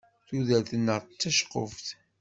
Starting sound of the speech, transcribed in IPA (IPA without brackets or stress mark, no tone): θ